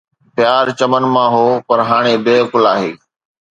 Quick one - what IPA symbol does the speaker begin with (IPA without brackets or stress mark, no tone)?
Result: p